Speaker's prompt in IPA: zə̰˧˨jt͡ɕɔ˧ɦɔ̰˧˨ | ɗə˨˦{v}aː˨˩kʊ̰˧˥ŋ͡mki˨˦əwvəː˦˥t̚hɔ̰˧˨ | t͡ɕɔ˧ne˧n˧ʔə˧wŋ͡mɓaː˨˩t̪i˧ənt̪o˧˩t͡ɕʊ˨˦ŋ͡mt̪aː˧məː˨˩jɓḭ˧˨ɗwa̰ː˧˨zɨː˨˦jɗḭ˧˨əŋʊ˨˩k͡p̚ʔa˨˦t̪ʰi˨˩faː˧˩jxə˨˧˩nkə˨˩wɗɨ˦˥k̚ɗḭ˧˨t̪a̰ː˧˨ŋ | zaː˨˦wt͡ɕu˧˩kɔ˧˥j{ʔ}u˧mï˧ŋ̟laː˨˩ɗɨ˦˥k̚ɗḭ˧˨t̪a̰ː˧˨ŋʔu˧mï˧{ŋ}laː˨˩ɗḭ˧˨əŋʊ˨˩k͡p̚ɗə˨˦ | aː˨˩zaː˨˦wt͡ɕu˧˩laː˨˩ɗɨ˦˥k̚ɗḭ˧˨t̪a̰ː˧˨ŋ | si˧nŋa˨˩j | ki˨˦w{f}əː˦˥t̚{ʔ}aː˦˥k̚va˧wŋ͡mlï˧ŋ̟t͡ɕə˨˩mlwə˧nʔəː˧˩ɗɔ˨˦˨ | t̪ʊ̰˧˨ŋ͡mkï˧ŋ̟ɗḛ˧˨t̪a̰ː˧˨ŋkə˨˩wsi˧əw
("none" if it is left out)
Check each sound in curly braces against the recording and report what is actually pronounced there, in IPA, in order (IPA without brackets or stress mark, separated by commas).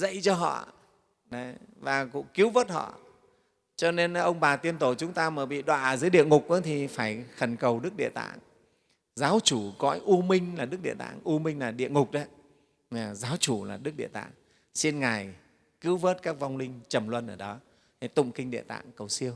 v, ʔ, ŋ, v, k